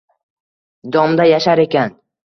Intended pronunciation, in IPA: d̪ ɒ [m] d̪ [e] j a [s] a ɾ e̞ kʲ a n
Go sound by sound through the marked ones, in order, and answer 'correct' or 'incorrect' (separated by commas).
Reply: correct, incorrect, incorrect